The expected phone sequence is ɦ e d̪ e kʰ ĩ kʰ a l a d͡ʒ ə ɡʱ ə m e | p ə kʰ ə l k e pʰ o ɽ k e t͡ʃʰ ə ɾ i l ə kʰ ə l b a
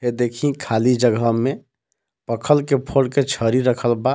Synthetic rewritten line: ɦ e d̪ e kʰ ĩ kʰ a l i d͡ʒ ə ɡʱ ə m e | p ə kʰ ə l k e pʰ o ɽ k e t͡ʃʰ ə ɾ i ɾ ə kʰ ə l b a